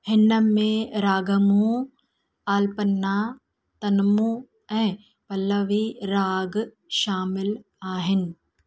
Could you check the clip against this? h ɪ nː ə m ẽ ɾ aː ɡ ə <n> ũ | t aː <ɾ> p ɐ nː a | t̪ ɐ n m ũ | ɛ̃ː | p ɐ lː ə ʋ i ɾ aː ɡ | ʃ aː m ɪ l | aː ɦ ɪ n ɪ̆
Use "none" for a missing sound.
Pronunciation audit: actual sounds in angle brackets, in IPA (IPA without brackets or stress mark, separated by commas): m, l